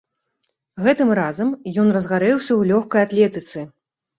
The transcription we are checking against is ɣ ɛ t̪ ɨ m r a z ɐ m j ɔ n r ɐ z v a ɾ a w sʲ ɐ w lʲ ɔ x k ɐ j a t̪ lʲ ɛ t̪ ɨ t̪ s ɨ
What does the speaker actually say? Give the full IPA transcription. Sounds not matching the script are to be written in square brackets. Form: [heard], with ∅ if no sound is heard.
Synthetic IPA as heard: ɣ ɛ t̪ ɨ m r a z ɐ m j ɔ n r ɐ z [ɣ] a ɾ [ɛ] w sʲ ɐ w lʲ ɔ x k ɐ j a t̪ lʲ ɛ t̪ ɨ t̪ s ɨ